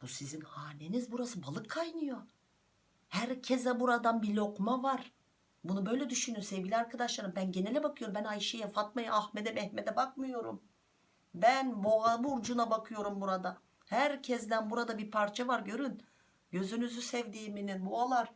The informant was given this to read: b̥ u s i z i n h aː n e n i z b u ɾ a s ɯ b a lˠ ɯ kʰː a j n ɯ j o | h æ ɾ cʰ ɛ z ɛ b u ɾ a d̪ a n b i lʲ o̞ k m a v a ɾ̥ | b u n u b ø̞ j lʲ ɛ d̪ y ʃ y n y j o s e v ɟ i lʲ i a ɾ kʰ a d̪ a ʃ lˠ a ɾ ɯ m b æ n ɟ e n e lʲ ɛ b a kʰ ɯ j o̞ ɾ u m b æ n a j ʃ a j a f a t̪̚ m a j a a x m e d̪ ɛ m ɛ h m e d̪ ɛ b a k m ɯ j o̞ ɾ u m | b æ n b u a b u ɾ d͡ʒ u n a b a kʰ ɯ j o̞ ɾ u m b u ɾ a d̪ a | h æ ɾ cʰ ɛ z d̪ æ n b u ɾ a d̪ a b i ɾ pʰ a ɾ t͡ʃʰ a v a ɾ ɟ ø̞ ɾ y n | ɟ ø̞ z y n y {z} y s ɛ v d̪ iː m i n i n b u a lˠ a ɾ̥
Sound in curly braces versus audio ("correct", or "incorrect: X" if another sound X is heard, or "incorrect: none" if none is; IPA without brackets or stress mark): correct